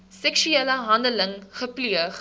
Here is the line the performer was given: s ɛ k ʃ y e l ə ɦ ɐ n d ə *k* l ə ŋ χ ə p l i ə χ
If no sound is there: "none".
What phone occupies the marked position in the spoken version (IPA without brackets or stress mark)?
none